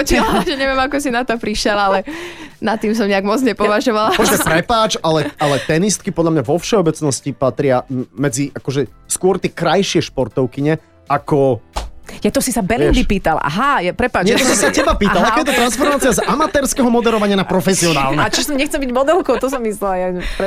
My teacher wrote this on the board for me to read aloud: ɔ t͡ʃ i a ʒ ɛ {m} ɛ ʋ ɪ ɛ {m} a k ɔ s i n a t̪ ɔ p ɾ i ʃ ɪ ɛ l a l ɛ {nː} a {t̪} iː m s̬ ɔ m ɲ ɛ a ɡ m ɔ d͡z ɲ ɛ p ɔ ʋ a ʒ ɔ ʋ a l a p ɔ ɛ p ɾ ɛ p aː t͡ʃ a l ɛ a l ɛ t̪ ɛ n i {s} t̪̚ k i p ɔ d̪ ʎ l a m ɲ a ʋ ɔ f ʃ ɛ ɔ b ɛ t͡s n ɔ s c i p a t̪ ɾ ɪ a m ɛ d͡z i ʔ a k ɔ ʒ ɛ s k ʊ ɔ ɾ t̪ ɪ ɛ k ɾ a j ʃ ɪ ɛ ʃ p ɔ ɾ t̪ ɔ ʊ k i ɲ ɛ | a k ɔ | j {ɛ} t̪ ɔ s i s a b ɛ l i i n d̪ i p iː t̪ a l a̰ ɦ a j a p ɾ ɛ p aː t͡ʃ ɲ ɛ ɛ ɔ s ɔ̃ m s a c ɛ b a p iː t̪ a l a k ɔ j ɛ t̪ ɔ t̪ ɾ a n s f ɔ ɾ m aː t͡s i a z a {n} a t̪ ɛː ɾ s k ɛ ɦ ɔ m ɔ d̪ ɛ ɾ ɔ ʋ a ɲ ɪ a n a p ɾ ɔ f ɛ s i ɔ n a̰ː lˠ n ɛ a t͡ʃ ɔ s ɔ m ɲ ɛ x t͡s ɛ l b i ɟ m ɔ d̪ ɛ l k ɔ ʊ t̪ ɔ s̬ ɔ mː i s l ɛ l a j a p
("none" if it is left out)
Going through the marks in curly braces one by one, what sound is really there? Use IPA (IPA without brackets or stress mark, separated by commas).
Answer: ɲ, m, n, t̪, s, a, m